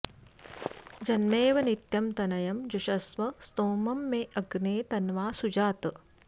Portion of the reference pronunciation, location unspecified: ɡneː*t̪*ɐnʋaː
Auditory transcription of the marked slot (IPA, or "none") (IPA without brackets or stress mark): t̪